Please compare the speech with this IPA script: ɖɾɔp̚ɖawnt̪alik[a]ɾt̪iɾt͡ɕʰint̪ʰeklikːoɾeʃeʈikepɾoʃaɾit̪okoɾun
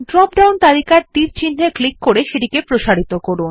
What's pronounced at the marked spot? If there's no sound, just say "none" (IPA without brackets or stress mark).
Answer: a